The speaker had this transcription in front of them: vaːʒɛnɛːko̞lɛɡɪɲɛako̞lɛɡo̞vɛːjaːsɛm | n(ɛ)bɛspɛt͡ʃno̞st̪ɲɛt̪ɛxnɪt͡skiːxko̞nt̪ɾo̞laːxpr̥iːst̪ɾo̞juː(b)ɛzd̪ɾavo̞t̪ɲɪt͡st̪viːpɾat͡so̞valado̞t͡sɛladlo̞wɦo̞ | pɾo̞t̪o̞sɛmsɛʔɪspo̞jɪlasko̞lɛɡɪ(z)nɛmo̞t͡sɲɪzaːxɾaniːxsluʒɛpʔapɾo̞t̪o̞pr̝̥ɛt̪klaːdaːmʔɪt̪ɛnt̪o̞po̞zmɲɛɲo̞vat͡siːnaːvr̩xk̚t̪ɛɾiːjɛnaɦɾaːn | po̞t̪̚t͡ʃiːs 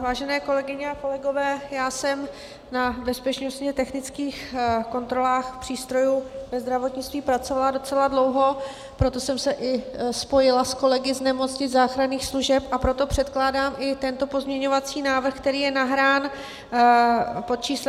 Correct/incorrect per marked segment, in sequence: incorrect: a, incorrect: v, correct

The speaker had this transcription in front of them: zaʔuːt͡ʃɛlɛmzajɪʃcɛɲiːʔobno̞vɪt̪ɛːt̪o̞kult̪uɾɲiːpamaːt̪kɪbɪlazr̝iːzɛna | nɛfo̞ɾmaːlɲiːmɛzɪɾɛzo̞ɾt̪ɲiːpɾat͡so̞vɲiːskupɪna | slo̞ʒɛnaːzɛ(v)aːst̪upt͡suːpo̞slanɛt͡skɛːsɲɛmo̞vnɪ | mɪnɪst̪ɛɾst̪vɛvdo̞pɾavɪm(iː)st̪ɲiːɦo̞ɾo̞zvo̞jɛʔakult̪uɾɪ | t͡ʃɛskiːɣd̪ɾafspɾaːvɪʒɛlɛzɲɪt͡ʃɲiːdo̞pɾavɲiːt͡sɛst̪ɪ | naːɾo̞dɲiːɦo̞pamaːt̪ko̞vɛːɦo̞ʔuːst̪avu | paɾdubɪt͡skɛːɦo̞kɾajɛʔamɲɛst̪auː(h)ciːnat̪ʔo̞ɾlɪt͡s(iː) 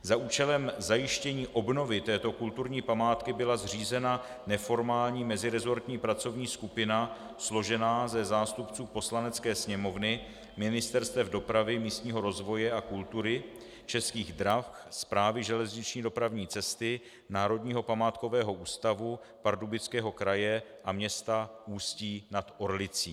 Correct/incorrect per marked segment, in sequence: incorrect: z, correct, incorrect: s, correct

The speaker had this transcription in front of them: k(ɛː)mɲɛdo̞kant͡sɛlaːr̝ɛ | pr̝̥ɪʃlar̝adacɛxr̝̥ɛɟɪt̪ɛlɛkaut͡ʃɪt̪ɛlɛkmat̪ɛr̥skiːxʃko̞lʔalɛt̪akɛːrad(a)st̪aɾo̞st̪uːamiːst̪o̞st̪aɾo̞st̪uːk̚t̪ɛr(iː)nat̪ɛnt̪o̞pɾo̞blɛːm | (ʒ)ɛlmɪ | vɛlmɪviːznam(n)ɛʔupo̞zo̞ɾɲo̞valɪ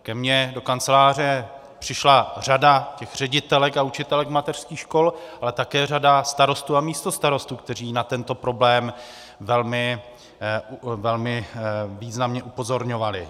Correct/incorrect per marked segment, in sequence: incorrect: ɛ, correct, correct, incorrect: v, incorrect: ɲ

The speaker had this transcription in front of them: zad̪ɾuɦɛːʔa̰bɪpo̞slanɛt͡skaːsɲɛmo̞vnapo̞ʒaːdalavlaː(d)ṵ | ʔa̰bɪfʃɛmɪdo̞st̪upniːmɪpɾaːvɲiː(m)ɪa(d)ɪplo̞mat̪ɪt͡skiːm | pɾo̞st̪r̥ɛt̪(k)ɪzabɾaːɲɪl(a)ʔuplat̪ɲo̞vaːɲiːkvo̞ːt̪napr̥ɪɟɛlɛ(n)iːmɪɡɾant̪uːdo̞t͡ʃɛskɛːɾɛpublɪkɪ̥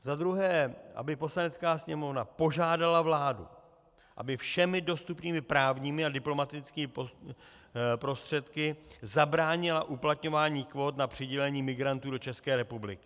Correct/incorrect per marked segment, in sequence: correct, correct, correct, correct, correct, incorrect: ɲ

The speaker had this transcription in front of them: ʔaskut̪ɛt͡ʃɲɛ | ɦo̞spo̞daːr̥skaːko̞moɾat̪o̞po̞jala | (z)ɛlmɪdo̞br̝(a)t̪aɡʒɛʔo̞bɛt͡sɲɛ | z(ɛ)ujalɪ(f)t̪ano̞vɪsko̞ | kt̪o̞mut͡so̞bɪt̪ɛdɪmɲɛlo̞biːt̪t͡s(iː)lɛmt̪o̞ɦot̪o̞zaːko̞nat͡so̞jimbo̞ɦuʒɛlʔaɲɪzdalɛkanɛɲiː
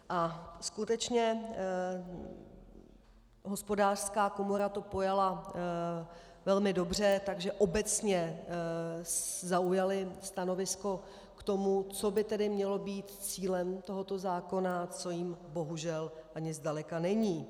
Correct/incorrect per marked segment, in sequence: incorrect: v, incorrect: ɛ, incorrect: a, incorrect: s, correct

